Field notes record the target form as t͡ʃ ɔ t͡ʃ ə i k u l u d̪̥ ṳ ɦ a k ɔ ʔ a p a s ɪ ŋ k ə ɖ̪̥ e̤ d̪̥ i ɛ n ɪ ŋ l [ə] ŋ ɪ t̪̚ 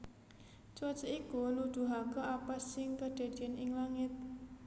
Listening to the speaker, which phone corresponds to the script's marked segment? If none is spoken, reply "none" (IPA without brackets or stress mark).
a